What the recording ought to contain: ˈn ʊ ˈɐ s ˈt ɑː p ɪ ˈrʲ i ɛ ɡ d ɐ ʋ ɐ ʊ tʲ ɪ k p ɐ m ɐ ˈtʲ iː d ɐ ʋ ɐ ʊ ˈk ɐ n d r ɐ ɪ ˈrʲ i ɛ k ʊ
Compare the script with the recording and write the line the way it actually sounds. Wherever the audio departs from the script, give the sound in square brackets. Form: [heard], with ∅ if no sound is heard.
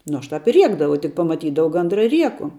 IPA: ˈn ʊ ˈɐ [ʃ] ˈt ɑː p ɪ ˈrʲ i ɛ ɡ d ɐ ʋ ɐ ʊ tʲ ɪ k p ɐ m ɐ ˈtʲ iː d ɐ ʋ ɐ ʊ [ˈɡ] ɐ n d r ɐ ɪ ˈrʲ i ɛ k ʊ